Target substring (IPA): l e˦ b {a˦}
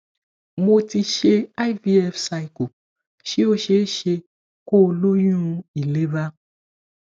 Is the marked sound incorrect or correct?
correct